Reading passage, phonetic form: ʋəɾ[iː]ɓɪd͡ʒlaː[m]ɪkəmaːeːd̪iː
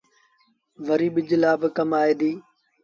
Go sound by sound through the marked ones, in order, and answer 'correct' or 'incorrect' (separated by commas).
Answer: correct, incorrect